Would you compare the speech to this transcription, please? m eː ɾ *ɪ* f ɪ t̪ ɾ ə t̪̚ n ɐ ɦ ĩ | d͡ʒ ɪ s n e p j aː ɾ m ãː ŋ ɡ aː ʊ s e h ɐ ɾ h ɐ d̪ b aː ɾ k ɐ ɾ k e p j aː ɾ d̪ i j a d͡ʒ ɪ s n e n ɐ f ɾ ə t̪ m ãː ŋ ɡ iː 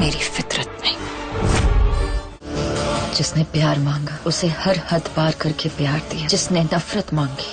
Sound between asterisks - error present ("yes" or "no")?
yes